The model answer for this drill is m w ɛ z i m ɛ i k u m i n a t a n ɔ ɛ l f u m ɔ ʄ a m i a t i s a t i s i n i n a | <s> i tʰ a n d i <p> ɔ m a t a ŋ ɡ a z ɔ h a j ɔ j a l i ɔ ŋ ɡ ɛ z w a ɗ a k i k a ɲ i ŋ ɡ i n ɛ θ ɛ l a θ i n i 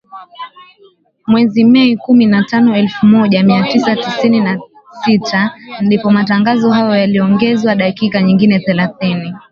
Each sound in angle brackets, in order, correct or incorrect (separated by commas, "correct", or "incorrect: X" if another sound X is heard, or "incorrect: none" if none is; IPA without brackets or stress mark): correct, correct